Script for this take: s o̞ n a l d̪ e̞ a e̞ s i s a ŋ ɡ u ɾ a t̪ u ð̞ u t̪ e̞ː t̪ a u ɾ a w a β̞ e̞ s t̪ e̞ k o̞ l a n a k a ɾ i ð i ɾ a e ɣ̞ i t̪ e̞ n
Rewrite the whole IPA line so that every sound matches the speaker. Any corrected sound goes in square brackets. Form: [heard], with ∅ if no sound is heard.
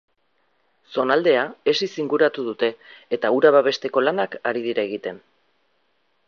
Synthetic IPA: s o̞ n a l d̪ e̞ a e̞ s i s [i] ŋ ɡ u ɾ a t̪ u ð̞ u t̪ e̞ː t̪ a u ɾ a [β] a β̞ e̞ s t̪ e̞ k o̞ l a n a k a ɾ i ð i ɾ a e ɣ̞ i t̪ e̞ n

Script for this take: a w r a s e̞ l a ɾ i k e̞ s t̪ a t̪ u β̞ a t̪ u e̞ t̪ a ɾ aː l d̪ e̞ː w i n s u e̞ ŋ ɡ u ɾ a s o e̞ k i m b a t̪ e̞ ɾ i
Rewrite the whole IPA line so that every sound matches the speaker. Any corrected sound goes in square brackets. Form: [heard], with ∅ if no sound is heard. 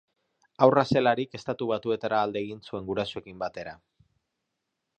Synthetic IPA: a w r a s e̞ l a ɾ i k e̞ s t̪ a t̪ u β̞ a t̪ u e̞ t̪ a ɾ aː l d̪ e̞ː [ɣ] i n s u e̞ ŋ ɡ u ɾ a s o e̞ k i m b a t̪ e̞ ɾ [a]

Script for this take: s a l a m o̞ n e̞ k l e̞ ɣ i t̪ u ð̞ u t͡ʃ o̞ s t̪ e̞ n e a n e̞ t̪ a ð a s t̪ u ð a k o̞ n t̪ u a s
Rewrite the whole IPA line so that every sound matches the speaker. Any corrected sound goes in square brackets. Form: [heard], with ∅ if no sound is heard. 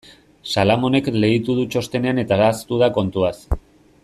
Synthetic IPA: s a l a m o̞ n e̞ k l e̞ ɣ i t̪ u ð̞ u t͡ʃ o̞ s t̪ e̞ n e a n e̞ t̪ a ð a s t̪ u ð a k o̞ n t̪ u a s

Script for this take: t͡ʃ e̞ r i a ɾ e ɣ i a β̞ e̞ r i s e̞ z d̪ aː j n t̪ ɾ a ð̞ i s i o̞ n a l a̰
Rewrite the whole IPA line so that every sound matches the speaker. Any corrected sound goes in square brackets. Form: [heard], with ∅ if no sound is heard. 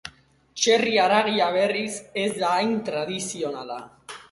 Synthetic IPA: t͡ʃ e̞ r i a ɾ [a] ɣ i a β̞ e̞ r i s e̞ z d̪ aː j n t̪ ɾ a ð̞ i s i o̞ n a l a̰

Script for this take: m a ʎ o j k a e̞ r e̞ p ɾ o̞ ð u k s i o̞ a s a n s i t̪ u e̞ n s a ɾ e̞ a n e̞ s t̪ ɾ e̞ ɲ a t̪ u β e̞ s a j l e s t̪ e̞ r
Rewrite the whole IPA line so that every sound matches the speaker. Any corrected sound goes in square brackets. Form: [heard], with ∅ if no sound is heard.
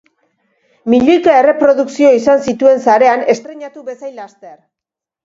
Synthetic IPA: m [i] ʎ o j k a e̞ r e̞ p ɾ o̞ ð u k s i o̞ [i] s a n s i t̪ u e̞ n s a ɾ e̞ a n e̞ s t̪ ɾ e̞ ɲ a t̪ u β e̞ s a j l [a] s t̪ e̞ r

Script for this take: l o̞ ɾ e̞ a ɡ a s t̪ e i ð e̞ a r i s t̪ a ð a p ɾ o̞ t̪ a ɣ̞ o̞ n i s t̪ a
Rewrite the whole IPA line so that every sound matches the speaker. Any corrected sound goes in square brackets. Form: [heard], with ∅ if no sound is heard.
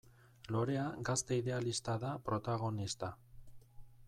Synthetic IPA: l o̞ ɾ e̞ a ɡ a s t̪ e i ð e̞ a [l] i s t̪ a ð a p ɾ o̞ t̪ a ɣ̞ o̞ n i s t̪ a

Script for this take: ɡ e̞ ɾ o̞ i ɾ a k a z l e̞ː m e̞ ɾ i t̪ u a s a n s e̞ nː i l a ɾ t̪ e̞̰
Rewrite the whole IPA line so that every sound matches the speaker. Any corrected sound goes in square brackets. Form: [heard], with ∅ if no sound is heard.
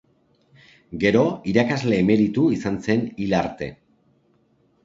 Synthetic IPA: ɡ e̞ ɾ o̞ i ɾ a k a z l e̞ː m e̞ ɾ i t̪ u [i] s a n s e̞ [n] i l a ɾ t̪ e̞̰

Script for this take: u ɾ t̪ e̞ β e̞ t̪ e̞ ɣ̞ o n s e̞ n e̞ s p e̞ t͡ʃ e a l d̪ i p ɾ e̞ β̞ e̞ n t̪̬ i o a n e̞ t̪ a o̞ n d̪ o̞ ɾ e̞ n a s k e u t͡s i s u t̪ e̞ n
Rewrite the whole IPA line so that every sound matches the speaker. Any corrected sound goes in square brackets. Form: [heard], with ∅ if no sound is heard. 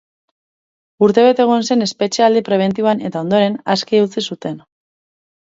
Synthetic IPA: u ɾ t̪ e̞ β e̞ t̪ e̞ ɣ̞ o n s e̞ n e̞ s p e̞ t͡ʃ e a l d̪ i p ɾ e̞ β̞ e̞ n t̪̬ i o a n e̞ t̪ a o̞ n d̪ o̞ ɾ e̞ n a s k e u t͡s i s u t̪ e̞ n

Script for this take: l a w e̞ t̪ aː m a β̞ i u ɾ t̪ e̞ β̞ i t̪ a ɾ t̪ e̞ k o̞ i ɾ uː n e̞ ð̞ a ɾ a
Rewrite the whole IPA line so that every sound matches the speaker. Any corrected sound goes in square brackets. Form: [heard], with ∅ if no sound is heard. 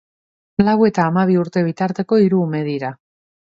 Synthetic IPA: l a w e̞ t̪ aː m a β̞ i u ɾ t̪ e̞ β̞ i t̪ a ɾ t̪ e̞ k o̞ i ɾ uː [m] e̞ ð̞ [i] ɾ a

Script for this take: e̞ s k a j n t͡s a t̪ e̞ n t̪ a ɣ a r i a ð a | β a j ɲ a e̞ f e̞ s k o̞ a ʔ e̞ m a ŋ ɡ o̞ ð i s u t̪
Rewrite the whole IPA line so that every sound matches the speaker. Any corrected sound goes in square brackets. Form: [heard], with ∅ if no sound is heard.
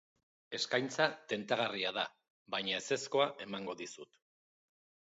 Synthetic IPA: e̞ s k a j n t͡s a t̪ e̞ n t̪ a ɣ a r i a ð a | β a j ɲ a e̞ [s] e̞ s k o̞ a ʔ e̞ m a ŋ ɡ o̞ ð i s u t̪

